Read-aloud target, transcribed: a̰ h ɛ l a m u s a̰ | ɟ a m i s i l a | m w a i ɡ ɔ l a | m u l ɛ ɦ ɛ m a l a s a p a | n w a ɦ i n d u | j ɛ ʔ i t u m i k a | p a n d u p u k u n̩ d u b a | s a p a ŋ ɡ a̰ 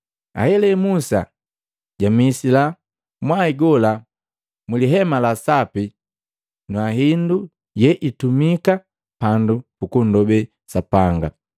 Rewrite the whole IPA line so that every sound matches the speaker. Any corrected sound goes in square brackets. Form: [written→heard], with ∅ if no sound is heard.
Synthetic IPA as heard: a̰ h ɛ l [a→ɛ] m u s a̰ | ɟ a m i s i l a | m w a i ɡ ɔ l a | m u l [ɛ→i] ɦ ɛ m a l a s a p [a→i] | n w a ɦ i n d u | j ɛ ʔ i t u m i k a | p a n d u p u k u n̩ d [u→ɔ] b [a→ɛ] | s a p a ŋ ɡ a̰

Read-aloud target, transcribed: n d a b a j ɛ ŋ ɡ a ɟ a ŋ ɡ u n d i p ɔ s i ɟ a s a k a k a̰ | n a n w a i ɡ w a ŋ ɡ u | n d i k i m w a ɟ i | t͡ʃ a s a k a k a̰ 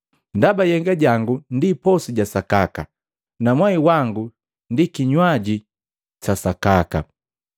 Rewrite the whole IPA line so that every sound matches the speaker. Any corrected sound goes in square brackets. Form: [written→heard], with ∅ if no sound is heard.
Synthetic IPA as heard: n d a b a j ɛ ŋ ɡ a ɟ a ŋ ɡ u n d i p ɔ s i ɟ a s a k a k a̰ | n a [n→m] w a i [ɡ→∅] w a ŋ ɡ u | n d i k i [m→ɲ] w a ɟ i | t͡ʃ a s a k a k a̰

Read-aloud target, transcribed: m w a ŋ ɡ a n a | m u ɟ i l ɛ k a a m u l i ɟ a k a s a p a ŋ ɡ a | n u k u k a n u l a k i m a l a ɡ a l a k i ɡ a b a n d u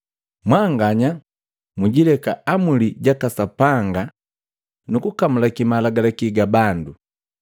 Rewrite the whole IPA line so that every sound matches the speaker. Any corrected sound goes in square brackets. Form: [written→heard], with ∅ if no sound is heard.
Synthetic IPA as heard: m w a ŋ ɡ a [n→ɲ] a | m u ɟ i l ɛ k a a m u l i ɟ a k a s a p a ŋ ɡ a | n u k u k a [n→m] u l a k i m a l a ɡ a l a k i ɡ a b a n d u

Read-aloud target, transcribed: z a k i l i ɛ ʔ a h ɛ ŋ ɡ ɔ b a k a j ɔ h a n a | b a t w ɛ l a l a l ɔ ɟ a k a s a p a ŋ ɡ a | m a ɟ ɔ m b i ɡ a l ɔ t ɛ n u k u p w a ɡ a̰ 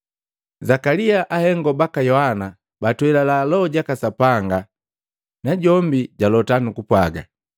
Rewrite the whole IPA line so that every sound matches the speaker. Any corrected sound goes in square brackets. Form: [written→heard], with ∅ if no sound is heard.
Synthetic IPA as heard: z a k [i→a] l i [ɛ→a] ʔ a h ɛ ŋ ɡ ɔ b a k a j ɔ h a n a | b a t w ɛ l a l a l ɔ ɟ a k a s a p a ŋ ɡ a | [m→n] a ɟ ɔ m b i [ɡ→ɟ] a l ɔ t [ɛ→a] n u k u p w a ɡ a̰

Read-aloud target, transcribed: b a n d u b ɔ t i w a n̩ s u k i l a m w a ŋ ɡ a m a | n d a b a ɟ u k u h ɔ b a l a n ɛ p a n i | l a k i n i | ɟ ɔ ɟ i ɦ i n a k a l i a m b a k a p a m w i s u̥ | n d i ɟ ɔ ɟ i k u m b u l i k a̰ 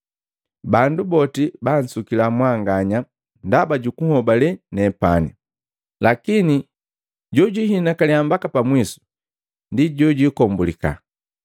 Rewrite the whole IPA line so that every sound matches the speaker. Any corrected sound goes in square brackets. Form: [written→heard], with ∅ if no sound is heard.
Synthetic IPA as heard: b a n d u b ɔ t i [w→b] a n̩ s u k i l a m w a ŋ ɡ a [m→ɲ] a | n d a b a ɟ u k u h ɔ b a l [a→ɛ] n ɛ p a n i | l a k i n i | ɟ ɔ ɟ i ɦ i n a k a l i a m b a k a p a m w i s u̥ | n d i ɟ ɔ ɟ i k [u→ɔ] m b u l i k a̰

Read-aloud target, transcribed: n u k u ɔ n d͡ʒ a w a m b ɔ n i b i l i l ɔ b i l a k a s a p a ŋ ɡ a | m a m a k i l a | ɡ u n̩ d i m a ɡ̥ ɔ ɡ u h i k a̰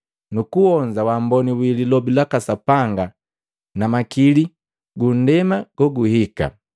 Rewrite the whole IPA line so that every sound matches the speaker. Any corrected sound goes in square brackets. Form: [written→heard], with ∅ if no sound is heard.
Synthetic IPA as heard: n u k u ɔ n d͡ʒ a w a m b ɔ n i [b→w] i l i l ɔ b i l a k a s a p a ŋ ɡ a | [m→n] a m a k i l [a→i] | ɡ u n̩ d [i→ɛ] m a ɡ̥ ɔ ɡ u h i k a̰

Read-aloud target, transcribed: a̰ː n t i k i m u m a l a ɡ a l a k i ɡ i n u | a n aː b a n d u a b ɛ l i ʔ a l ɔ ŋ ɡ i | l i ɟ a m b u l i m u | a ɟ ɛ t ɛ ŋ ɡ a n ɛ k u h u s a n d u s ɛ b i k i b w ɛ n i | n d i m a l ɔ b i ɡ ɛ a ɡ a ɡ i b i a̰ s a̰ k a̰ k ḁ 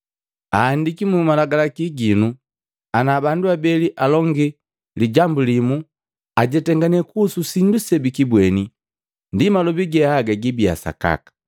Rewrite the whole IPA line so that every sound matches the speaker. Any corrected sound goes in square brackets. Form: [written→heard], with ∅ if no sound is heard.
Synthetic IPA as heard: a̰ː n [t→d] i k i m u m a l a ɡ a l a k i ɡ i n u | a n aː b a n d u a b ɛ l i ʔ a l ɔ ŋ ɡ i | l i ɟ a m b u l i m u | a ɟ ɛ t ɛ ŋ ɡ a n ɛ k u [h→s] u s [a→i] n d u s ɛ b i k i b w ɛ n i | n d i m a l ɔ b i ɡ ɛ a ɡ a ɡ i b i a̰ s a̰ k a̰ k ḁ

